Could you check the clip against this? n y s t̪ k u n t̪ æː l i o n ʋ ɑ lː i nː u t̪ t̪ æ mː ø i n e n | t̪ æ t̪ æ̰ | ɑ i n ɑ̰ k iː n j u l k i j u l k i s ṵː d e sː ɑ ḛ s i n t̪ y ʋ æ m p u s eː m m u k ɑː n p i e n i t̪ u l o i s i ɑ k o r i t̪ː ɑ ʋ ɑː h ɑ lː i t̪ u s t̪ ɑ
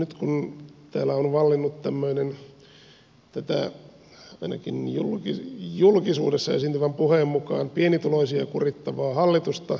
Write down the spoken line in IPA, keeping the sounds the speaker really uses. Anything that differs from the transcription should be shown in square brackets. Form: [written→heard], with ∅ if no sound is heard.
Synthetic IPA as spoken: n y [s→∅] t̪ k u n t̪ æː l [i→æ] o n ʋ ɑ lː i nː u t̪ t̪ æ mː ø i n e n | t̪ æ t̪ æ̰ | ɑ i n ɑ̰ k [iː→i] n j u l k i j u l k i s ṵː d e sː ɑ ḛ s i n t̪ y ʋ æ m p u [s→h] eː m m u k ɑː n p i e n i t̪ u l o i s i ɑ k [o→u] r i t̪ː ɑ ʋ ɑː h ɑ lː i t̪ u s t̪ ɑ